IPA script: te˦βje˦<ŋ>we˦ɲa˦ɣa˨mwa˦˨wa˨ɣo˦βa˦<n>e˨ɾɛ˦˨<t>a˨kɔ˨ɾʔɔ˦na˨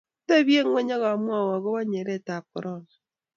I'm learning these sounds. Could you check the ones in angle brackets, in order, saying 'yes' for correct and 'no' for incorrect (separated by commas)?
yes, no, yes